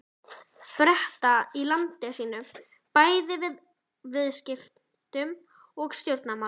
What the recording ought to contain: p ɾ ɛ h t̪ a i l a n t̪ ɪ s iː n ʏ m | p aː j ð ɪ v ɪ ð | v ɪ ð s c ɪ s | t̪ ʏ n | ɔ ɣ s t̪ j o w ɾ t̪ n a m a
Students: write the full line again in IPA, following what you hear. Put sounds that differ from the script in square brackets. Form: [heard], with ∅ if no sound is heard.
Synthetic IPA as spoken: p ɾ ɛ h t̪ a i l a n t̪ ɪ s iː n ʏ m | p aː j ð ɪ v ɪ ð | v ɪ ð s c ɪ [f] | t̪ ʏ [m] | ɔ ɣ s t̪ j o w ɾ t̪ n a m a